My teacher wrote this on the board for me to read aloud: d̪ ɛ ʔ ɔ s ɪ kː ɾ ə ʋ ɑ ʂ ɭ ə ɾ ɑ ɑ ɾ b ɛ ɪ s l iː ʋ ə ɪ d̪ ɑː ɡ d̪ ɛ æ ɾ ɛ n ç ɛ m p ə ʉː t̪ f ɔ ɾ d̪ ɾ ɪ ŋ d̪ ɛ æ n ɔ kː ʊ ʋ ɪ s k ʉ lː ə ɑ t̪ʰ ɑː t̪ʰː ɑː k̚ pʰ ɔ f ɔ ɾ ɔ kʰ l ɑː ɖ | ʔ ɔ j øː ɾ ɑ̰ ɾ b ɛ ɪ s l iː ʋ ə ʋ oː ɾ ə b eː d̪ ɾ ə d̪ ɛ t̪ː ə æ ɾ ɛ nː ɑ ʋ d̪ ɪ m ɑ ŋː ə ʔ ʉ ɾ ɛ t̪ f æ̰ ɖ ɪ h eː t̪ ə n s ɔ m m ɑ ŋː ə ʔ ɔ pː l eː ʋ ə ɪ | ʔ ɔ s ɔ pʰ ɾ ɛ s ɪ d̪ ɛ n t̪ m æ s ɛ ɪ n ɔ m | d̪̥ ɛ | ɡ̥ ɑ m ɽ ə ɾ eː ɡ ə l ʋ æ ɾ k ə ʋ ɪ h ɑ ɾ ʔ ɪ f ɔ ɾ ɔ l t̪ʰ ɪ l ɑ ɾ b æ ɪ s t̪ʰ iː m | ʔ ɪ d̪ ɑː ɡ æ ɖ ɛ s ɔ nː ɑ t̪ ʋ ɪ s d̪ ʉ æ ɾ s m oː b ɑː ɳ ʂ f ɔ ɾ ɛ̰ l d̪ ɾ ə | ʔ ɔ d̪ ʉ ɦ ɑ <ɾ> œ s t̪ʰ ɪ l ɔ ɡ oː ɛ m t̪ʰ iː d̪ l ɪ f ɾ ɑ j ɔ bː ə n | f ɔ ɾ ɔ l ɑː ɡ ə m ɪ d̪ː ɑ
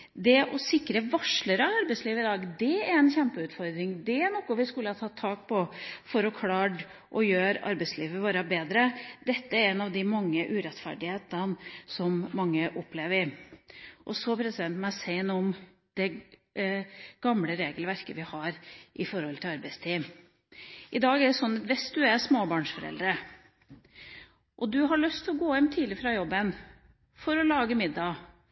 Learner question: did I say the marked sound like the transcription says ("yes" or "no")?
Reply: no